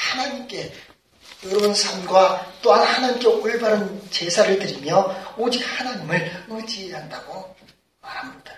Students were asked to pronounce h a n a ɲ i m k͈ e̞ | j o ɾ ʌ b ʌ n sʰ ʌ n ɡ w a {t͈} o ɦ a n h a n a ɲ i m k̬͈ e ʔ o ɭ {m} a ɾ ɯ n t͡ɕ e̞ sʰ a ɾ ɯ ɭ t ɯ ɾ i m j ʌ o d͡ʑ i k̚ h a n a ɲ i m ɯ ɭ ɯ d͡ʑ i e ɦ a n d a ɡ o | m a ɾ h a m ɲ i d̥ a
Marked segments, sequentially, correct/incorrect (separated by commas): correct, incorrect